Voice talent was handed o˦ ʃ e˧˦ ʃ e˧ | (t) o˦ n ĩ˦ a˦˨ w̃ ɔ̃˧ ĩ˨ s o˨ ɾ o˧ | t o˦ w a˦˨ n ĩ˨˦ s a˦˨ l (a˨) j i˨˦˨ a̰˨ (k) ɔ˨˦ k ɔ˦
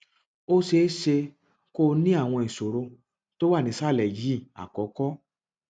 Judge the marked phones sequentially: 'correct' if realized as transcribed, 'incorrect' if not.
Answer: incorrect, incorrect, correct

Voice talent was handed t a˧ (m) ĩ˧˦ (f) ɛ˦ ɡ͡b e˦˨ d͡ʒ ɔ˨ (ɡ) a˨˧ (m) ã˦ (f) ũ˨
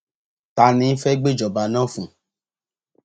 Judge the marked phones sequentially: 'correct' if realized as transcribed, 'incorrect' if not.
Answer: incorrect, correct, incorrect, incorrect, correct

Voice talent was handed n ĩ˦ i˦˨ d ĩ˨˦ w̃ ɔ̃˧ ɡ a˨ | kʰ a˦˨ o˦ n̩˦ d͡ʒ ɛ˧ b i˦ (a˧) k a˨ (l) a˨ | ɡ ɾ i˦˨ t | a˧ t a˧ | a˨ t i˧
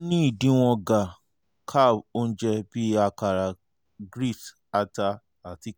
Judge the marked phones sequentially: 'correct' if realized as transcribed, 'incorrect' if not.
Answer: correct, incorrect

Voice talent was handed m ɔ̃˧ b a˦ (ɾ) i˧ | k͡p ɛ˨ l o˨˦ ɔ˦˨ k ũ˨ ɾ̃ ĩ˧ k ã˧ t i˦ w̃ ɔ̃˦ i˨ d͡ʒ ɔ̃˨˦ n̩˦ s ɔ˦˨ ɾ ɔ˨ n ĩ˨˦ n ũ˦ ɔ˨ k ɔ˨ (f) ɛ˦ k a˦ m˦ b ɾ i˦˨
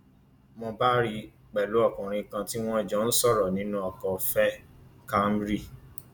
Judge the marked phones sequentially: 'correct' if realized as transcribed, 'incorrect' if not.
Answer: correct, correct

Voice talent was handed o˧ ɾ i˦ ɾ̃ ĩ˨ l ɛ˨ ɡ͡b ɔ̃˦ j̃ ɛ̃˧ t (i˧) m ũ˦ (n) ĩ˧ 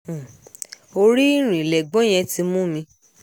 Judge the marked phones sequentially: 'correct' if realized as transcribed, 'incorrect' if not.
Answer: correct, incorrect

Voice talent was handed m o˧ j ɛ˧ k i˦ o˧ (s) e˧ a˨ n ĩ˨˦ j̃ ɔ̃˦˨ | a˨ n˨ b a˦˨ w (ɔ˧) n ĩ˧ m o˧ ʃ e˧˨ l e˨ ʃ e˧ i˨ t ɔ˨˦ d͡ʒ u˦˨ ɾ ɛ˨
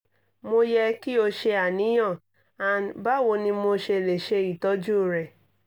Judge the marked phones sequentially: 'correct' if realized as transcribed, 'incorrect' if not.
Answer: incorrect, incorrect

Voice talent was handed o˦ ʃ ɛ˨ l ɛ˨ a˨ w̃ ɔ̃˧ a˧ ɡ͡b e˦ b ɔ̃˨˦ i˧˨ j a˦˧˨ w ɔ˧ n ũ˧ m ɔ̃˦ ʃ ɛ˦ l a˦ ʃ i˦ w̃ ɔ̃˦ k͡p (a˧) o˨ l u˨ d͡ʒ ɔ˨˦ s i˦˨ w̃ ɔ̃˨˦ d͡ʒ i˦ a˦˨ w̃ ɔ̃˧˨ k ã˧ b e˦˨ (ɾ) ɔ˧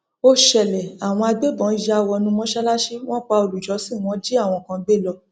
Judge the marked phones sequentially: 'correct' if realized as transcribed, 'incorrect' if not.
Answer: correct, incorrect

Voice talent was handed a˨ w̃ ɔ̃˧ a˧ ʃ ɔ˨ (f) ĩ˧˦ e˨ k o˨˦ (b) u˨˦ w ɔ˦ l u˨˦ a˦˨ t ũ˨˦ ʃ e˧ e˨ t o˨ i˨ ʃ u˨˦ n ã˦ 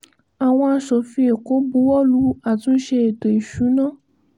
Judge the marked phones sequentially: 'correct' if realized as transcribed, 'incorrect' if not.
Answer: correct, correct

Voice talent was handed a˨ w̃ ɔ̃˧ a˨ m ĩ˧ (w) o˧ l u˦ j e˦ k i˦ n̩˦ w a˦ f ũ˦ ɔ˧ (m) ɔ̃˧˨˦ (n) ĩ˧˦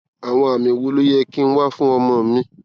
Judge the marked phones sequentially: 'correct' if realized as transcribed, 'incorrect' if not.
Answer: correct, correct, incorrect

